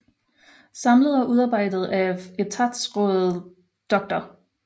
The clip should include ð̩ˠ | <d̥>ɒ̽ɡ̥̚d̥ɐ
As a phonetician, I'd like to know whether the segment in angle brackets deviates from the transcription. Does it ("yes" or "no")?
no